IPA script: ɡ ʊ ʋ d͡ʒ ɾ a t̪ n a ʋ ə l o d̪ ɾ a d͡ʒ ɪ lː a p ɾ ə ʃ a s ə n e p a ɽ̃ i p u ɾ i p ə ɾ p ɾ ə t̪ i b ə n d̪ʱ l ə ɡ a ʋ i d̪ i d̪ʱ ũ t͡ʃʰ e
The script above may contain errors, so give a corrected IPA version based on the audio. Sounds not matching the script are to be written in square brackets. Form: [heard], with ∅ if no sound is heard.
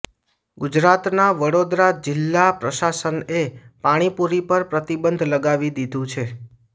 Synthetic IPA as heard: ɡ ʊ [∅] d͡ʒ ɾ a t̪ n a ʋ ə [ɽ] o d̪ ɾ a d͡ʒ ɪ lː a p ɾ ə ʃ a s ə n e p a ɽ̃ i p u ɾ i p ə ɾ p ɾ ə t̪ i b ə n d̪ʱ l ə ɡ a ʋ i d̪ i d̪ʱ ũ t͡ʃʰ e